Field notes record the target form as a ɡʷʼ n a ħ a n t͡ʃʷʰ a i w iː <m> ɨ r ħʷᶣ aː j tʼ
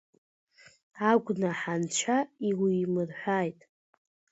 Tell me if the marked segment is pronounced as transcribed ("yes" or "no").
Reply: yes